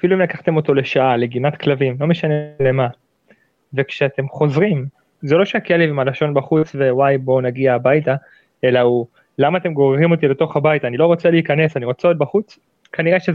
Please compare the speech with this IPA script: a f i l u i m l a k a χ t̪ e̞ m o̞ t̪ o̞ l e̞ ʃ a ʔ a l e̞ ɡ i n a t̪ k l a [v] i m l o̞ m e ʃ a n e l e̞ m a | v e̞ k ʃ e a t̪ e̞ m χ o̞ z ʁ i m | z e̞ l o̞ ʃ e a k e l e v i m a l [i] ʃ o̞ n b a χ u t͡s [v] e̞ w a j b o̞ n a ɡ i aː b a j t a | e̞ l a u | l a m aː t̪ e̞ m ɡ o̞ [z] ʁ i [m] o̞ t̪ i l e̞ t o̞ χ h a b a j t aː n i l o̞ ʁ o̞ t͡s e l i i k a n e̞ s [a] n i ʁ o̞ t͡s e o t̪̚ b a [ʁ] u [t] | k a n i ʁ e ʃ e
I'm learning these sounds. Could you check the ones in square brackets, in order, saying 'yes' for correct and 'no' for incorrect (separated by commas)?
yes, no, yes, no, yes, yes, no, no